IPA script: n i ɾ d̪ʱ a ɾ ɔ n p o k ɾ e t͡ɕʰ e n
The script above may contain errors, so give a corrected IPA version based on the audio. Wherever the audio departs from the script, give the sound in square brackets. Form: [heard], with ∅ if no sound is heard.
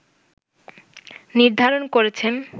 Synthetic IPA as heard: n i ɾ d̪ʱ a ɾ [o] n [k] o [∅] ɾ e t͡ɕʰ e n